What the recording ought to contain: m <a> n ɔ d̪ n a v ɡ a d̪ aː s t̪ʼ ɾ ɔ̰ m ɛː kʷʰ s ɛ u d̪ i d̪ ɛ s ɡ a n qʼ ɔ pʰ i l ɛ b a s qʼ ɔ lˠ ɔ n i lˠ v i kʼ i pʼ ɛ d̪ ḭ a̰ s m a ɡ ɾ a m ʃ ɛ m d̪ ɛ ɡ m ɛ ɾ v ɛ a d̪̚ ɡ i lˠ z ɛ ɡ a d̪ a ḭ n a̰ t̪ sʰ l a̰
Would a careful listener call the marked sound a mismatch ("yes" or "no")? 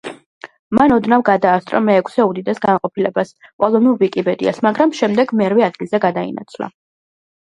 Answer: no